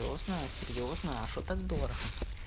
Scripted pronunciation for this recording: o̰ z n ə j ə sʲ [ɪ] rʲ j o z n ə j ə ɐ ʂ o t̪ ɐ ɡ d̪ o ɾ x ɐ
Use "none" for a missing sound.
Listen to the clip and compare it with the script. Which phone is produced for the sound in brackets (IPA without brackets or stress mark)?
ɪ